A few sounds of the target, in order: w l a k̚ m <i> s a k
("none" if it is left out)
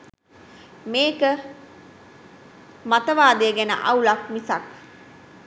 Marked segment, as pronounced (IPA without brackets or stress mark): i